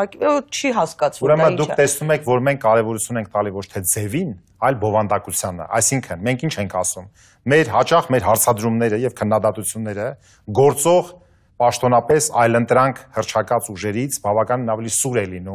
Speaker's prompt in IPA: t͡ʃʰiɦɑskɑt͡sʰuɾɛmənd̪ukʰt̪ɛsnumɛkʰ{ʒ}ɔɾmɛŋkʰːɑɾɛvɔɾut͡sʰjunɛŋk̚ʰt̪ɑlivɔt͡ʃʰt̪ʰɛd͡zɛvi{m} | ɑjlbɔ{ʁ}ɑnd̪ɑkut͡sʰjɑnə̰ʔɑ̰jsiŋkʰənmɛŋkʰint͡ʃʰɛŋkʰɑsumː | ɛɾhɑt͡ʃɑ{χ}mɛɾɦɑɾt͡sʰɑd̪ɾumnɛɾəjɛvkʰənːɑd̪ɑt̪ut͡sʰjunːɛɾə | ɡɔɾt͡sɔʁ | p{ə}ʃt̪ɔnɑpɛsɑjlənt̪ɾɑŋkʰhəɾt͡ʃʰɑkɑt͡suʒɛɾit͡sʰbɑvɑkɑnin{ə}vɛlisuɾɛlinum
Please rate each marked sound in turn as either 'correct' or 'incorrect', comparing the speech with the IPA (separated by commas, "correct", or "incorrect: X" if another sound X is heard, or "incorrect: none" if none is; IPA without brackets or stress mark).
incorrect: v, incorrect: n, incorrect: v, correct, incorrect: ɑ, incorrect: ɑ